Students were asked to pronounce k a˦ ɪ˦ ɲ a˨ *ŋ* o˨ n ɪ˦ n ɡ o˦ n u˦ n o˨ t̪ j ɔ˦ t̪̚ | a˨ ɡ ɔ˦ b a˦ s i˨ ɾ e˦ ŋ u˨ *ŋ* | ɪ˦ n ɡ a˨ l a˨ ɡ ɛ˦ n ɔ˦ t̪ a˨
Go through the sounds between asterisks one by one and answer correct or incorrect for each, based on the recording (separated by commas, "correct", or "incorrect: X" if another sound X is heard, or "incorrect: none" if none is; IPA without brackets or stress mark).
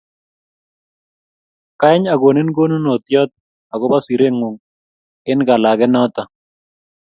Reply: incorrect: ɡ, correct